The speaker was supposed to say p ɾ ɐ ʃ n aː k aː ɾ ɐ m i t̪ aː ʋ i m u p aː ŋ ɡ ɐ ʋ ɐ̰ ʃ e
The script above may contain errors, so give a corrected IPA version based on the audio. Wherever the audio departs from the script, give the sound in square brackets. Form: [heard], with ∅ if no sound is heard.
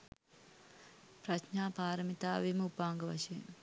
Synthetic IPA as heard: p ɾ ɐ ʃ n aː [p] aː ɾ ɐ m i t̪ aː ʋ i m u p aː ŋ ɡ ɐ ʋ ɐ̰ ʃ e